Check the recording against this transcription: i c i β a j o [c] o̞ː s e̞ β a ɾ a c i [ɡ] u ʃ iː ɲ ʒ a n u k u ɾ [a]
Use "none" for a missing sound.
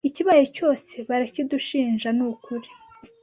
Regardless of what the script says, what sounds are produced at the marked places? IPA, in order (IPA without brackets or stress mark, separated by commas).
c, d, i